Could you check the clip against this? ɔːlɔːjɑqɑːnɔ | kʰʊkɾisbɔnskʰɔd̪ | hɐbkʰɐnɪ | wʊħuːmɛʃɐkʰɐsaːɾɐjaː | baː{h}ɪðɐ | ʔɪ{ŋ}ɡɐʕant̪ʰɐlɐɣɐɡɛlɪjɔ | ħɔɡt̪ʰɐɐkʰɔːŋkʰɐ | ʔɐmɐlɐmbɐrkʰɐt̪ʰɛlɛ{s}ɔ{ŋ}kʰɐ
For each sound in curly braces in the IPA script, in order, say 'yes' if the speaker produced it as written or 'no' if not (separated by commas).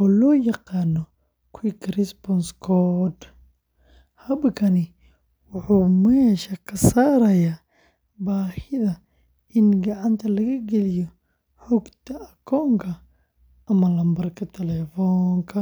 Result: yes, no, no, yes